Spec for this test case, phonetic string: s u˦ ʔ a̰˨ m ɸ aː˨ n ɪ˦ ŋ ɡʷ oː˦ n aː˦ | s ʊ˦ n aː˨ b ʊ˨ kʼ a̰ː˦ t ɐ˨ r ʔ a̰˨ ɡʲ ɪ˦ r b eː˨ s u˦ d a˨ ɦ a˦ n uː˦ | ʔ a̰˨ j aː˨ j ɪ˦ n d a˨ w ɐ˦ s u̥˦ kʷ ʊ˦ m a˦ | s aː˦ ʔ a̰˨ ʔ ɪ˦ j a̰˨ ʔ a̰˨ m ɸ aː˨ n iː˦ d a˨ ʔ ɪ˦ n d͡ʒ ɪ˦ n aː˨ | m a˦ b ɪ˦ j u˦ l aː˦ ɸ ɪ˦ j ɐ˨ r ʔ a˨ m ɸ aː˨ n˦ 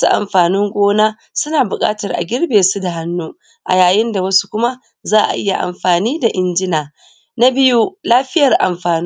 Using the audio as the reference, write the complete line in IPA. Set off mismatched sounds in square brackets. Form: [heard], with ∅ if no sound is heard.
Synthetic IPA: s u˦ ʔ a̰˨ m ɸ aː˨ n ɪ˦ ŋ ɡʷ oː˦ n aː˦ | s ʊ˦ n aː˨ b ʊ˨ kʼ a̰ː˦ t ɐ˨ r ʔ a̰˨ ɡʲ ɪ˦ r b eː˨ s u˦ d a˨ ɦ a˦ [nː] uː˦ | ʔ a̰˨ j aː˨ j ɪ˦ n d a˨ w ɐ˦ s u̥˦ kʷ ʊ˦ m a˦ | [z] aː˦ ʔ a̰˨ ʔ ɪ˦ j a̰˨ ʔ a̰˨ m ɸ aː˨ n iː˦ d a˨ ʔ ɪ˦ n d͡ʒ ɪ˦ n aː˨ | [n] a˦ b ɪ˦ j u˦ l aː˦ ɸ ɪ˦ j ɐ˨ r ʔ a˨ m ɸ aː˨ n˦